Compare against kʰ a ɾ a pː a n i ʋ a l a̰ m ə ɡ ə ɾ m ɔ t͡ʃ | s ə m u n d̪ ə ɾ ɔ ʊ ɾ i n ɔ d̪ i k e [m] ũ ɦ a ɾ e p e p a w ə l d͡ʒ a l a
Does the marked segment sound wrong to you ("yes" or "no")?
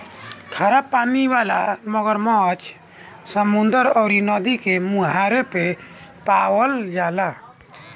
no